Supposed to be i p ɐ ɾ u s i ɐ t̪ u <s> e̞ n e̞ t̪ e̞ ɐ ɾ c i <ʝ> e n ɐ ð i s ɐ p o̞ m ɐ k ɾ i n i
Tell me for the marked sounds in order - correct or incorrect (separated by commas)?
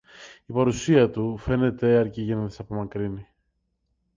incorrect, correct